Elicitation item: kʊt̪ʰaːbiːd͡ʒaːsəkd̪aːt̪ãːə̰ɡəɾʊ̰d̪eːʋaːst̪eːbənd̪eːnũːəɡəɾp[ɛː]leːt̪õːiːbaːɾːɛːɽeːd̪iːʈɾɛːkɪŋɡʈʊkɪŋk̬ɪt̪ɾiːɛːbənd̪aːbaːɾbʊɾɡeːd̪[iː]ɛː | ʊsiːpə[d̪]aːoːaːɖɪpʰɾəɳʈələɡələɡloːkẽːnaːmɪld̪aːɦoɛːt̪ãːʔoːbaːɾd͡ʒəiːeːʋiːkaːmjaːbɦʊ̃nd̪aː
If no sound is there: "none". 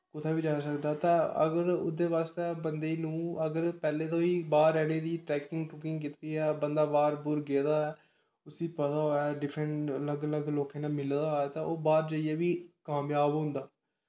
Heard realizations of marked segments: ɛː, aː, t̪

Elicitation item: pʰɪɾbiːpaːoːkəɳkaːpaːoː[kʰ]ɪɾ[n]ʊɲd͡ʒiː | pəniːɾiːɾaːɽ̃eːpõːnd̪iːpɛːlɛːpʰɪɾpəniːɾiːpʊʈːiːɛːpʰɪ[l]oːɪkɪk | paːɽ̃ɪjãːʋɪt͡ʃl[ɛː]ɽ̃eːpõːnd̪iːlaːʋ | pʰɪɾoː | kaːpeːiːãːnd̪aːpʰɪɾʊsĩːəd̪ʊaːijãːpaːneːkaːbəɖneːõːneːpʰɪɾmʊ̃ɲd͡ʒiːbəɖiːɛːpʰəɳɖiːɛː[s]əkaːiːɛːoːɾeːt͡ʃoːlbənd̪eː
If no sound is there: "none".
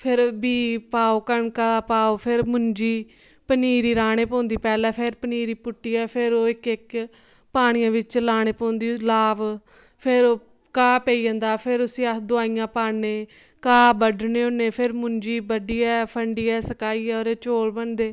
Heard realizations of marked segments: pʰ, m, ɾ, aː, s

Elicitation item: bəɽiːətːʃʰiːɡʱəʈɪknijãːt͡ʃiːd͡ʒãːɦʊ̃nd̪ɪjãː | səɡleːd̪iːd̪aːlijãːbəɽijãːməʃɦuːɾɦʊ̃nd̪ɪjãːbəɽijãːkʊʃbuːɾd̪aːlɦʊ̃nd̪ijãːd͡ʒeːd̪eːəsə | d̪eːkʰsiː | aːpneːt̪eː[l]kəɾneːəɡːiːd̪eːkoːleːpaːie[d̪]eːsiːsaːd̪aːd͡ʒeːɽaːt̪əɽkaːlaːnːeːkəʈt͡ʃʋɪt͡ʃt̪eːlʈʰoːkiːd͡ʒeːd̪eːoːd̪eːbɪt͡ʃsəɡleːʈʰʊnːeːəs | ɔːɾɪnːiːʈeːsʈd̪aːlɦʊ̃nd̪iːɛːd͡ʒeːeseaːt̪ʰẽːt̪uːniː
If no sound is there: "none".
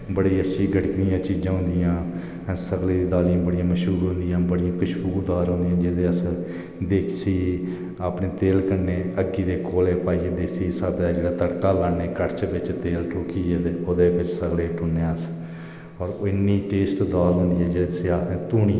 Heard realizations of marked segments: l, d̪

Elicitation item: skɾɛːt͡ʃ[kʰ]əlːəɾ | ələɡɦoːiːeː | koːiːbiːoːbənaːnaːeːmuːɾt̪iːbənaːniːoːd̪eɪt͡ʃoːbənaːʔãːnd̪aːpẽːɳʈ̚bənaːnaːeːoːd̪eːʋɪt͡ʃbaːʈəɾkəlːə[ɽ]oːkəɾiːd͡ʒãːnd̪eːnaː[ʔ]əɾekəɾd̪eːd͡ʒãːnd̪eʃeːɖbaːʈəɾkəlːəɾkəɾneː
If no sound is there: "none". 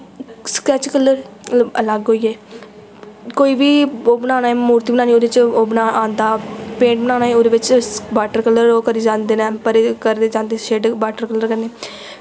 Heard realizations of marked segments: k, ɾ, p

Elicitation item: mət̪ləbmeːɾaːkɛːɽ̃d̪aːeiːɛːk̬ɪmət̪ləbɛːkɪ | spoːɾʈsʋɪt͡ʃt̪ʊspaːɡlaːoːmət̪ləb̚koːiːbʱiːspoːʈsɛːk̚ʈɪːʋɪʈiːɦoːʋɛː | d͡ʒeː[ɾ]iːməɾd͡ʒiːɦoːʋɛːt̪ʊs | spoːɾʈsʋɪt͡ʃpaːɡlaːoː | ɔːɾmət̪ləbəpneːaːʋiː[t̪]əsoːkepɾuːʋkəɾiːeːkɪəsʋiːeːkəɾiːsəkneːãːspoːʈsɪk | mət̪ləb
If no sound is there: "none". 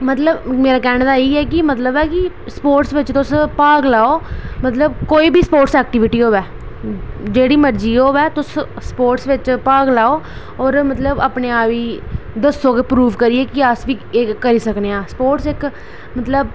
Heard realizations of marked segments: ɽ, d̪

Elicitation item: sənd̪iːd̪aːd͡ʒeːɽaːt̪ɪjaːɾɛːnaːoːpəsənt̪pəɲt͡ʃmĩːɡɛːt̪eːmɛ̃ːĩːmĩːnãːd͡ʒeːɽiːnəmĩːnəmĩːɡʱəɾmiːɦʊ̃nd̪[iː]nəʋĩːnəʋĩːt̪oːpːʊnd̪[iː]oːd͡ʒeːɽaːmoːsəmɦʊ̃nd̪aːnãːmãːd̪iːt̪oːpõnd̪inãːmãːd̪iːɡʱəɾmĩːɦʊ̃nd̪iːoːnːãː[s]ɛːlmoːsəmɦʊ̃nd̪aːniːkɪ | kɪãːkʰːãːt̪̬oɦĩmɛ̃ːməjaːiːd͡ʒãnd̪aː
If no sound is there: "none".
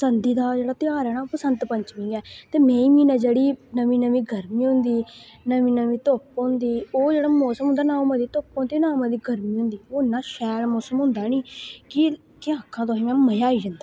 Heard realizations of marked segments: iː, iː, ʃ

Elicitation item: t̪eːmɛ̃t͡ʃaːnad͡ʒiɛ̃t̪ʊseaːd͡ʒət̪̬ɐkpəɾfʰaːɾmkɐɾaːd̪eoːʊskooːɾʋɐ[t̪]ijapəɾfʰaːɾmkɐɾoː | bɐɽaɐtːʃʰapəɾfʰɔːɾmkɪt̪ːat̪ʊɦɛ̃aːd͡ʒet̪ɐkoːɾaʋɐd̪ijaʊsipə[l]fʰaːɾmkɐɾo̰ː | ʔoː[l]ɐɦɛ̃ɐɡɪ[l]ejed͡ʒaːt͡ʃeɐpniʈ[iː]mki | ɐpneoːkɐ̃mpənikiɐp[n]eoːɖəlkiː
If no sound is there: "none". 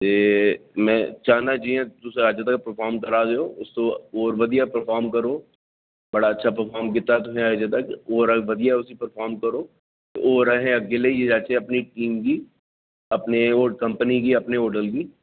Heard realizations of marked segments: d̪, ɾ, ɾ, l, iː, n

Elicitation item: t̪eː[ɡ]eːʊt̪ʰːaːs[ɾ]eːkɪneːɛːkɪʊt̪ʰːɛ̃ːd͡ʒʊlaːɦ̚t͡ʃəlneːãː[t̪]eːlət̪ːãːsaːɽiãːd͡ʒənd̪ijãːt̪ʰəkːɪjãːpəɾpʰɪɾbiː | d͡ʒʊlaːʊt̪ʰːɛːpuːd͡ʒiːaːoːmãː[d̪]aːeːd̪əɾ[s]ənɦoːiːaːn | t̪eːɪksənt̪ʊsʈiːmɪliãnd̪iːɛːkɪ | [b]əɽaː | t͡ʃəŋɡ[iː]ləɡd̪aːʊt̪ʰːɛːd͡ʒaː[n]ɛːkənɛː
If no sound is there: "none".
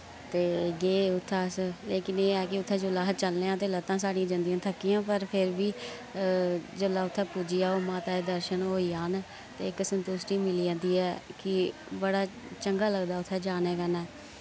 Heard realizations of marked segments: ɡ, l, t̪, t̪, ʃ, b, aː, n

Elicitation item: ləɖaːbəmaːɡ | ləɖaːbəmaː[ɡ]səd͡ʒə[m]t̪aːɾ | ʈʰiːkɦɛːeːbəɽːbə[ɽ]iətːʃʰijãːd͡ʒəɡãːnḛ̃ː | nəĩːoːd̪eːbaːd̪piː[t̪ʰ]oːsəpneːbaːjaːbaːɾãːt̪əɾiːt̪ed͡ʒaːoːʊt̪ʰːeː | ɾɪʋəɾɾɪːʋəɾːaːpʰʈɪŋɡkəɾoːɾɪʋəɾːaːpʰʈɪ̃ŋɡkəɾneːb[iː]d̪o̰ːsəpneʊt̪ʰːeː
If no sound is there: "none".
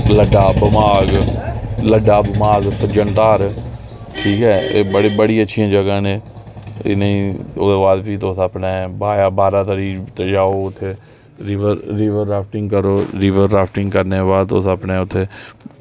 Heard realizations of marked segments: ɡ, n, ɽ, t̪, aː

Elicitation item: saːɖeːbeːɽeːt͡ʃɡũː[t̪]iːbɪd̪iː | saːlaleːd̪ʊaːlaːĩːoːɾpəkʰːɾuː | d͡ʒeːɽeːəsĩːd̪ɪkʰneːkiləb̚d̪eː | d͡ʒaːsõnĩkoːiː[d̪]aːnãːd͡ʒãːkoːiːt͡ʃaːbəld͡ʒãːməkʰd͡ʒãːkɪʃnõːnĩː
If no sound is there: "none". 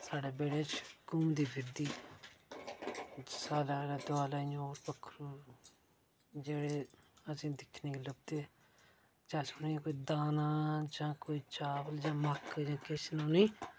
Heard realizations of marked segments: d̪, d̪

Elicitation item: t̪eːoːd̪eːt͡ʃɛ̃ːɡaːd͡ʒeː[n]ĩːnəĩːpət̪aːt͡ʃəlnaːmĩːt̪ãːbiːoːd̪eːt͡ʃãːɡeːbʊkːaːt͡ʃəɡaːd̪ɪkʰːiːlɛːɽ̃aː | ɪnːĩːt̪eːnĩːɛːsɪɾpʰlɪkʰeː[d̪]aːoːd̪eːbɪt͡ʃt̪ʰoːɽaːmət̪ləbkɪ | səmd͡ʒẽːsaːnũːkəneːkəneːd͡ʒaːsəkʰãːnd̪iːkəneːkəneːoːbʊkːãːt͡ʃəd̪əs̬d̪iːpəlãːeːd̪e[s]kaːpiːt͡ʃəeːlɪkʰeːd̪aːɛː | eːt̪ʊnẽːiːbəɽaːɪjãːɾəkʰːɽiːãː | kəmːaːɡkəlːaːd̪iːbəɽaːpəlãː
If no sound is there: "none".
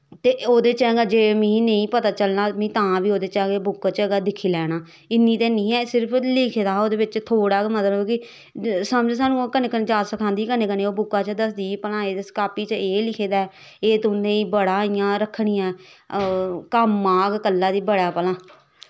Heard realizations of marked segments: m, d̪, s

